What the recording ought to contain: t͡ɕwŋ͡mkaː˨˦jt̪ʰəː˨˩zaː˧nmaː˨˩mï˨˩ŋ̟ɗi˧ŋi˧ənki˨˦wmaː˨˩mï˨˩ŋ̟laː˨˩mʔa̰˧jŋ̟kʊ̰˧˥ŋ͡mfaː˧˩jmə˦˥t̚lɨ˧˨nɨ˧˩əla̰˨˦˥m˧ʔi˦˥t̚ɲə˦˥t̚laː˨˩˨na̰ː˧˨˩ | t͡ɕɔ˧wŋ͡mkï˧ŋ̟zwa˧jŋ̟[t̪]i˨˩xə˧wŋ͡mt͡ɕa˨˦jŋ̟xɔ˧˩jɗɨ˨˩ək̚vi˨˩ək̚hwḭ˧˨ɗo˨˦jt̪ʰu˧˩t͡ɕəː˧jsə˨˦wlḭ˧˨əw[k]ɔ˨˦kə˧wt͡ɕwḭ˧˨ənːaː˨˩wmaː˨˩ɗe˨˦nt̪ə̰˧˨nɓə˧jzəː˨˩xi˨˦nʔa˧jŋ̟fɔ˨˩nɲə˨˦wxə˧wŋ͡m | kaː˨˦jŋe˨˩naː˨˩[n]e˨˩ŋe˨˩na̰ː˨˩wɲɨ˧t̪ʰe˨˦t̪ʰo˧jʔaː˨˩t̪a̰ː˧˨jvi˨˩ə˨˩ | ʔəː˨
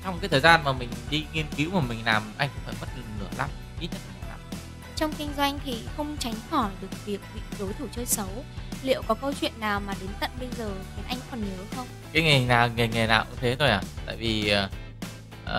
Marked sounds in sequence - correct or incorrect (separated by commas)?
incorrect, correct, incorrect